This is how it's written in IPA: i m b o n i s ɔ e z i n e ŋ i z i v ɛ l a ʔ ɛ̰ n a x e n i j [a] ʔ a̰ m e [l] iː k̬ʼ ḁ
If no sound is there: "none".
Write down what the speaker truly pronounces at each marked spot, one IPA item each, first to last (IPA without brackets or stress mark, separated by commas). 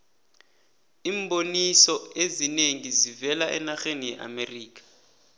ɛ, r